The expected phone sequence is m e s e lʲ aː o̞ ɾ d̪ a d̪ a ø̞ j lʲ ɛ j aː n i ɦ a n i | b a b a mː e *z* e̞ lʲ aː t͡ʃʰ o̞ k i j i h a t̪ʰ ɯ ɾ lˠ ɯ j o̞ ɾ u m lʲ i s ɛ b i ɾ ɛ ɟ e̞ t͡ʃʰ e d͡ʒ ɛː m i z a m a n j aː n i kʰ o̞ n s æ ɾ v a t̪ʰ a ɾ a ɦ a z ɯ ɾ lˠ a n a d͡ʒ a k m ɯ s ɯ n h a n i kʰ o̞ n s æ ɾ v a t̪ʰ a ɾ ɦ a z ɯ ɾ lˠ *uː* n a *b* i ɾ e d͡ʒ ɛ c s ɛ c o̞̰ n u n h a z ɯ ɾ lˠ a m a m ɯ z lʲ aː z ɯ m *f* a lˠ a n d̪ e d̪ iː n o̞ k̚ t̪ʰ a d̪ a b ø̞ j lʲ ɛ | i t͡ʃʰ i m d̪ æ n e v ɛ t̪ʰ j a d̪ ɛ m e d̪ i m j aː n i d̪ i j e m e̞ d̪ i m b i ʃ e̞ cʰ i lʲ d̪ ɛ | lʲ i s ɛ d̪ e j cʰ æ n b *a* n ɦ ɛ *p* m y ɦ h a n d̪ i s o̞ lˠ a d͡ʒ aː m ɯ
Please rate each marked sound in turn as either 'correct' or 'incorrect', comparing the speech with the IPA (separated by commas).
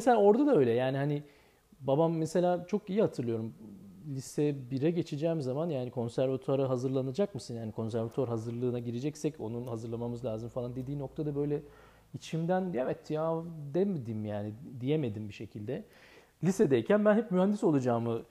incorrect, incorrect, incorrect, correct, incorrect, correct